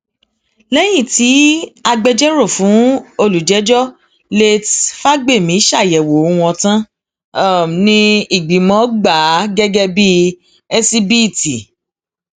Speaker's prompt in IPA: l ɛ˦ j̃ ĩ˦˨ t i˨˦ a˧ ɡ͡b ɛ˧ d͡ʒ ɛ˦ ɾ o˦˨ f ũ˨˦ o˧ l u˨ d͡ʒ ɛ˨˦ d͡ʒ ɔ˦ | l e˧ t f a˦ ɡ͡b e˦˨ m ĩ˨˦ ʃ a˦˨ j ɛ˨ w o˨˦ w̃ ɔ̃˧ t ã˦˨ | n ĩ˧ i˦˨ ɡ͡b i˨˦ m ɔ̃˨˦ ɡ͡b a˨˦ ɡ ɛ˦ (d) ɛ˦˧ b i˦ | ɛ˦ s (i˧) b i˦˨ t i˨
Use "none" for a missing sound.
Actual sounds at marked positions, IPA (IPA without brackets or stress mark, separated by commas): ɡ, i˧